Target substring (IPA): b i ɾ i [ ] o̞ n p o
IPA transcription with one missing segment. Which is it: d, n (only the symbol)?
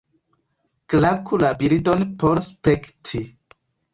d